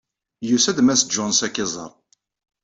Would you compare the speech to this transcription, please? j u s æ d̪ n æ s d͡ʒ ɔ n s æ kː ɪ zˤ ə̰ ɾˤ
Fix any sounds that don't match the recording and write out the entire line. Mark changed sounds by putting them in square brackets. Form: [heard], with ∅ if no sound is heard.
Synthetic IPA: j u s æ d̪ [m] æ s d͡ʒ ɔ n s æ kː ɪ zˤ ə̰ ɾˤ